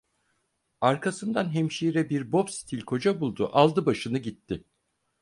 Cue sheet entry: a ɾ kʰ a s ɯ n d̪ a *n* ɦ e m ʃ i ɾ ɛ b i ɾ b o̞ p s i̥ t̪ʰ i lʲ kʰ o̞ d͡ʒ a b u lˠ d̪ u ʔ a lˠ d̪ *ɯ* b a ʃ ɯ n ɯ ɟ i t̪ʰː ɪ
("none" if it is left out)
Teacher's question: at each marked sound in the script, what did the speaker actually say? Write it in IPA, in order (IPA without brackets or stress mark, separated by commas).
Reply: n, ɯ